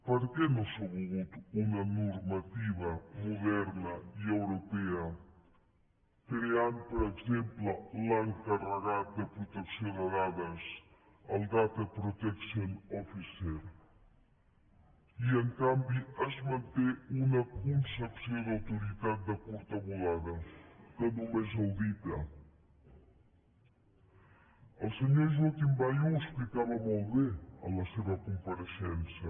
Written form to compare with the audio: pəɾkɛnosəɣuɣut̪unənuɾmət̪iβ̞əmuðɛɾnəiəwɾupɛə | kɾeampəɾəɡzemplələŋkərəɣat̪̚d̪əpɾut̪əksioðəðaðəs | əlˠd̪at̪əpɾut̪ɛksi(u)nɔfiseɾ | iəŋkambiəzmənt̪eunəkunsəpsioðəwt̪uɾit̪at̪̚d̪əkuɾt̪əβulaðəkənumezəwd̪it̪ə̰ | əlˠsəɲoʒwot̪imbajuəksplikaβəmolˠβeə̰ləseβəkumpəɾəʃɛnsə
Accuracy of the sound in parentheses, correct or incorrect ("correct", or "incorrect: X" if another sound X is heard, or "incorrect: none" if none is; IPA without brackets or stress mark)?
incorrect: o